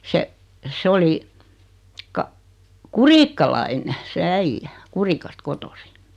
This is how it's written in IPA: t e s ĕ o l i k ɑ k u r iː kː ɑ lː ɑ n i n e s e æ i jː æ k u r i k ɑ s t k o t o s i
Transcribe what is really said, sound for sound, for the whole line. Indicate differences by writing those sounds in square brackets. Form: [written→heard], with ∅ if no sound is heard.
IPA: [t→s] e s ĕ o l i k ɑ k u r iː kː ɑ [lː→l] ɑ [n→∅] i n e s e æ i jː æ k u r i k ɑ s t k o t o s i